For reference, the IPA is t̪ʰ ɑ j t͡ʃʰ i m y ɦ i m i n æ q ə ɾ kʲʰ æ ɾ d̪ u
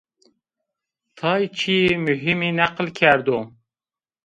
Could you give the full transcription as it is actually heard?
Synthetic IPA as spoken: t̪ʰ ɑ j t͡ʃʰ i m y ɦ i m i n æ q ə l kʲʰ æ ɾ d̪ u